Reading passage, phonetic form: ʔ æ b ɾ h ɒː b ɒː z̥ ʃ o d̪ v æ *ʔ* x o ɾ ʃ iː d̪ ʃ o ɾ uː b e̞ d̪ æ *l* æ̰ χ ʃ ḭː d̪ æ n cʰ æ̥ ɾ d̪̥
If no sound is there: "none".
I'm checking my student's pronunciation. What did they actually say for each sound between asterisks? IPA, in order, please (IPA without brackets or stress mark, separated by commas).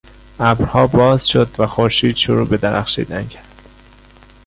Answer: none, ɾ